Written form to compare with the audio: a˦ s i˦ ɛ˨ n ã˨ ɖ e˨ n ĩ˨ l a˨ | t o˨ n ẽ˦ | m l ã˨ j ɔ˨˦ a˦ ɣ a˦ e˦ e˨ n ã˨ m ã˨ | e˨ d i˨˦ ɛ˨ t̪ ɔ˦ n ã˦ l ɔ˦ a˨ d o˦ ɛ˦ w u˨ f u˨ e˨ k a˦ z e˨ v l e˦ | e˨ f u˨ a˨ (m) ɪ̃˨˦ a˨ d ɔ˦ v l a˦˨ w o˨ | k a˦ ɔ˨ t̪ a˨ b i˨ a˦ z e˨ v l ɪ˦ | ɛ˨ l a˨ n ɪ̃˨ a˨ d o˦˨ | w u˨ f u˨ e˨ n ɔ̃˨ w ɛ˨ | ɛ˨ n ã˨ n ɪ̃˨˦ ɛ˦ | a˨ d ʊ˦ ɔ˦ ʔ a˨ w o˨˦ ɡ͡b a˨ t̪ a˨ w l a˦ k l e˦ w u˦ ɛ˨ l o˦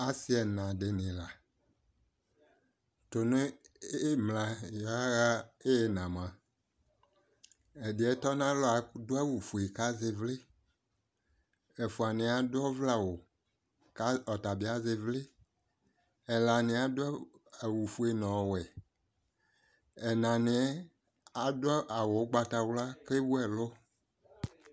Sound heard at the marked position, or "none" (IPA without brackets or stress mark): n